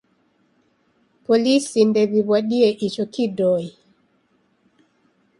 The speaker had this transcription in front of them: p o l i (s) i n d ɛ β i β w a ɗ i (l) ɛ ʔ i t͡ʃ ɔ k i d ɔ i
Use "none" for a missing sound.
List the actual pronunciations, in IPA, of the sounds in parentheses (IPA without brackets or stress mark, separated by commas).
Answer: s, none